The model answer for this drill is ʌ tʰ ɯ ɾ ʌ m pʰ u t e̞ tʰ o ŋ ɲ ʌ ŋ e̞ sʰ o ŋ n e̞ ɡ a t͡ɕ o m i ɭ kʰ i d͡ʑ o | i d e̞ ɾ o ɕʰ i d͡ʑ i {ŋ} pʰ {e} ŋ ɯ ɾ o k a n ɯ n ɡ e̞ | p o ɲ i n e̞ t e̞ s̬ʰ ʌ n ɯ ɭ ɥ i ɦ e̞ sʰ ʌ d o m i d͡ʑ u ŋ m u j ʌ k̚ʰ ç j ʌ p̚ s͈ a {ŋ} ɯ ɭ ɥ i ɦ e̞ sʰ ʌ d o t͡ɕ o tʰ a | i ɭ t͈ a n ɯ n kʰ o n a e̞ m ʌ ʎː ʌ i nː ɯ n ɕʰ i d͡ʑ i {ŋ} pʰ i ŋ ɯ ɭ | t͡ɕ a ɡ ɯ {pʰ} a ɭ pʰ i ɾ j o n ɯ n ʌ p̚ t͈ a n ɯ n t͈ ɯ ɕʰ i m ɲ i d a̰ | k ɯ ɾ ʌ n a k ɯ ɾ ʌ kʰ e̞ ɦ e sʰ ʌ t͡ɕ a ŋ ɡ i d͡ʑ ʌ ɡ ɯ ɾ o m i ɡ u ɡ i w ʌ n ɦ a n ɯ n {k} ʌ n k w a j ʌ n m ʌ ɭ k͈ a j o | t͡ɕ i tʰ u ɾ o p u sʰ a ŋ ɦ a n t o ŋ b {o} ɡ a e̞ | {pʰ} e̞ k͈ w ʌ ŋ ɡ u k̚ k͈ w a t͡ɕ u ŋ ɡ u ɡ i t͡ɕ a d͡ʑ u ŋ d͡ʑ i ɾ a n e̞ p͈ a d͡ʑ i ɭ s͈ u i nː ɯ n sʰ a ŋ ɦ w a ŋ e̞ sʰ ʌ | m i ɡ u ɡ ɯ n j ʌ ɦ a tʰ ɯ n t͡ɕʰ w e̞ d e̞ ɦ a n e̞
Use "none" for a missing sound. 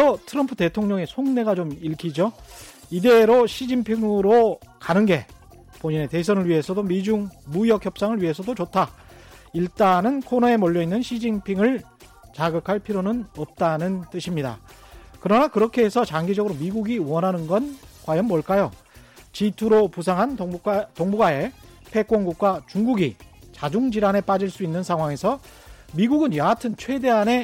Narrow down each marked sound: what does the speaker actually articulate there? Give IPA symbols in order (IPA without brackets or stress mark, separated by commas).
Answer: ŋ, i, ŋ, ŋ, kʰ, ɡ, u, pʰ